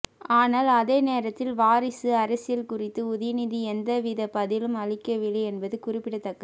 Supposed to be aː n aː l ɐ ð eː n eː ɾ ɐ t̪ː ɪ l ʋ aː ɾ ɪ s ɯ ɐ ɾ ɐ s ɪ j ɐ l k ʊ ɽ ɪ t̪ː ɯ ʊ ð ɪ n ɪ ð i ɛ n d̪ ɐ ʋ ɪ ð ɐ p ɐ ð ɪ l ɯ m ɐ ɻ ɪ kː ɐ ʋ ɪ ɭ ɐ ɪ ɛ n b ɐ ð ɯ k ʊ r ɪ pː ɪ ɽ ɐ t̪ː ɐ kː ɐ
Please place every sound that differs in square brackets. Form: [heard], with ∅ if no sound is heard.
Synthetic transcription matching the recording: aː n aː l ɐ ð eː n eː ɾ ɐ t̪ː ɪ l ʋ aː ɾ ɪ s ɯ ɐ ɾ ɐ s ɪ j ɐ l k ʊ [r] ɪ t̪ː ɯ ʊ ð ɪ n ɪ ð i ɛ n d̪ ɐ ʋ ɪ ð ɐ p ɐ ð ɪ l ɯ m ɐ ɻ ɪ kː ɐ ʋ ɪ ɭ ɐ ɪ ɛ n b ɐ ð ɯ k ʊ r ɪ pː ɪ ɽ ɐ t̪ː ɐ kː ɐ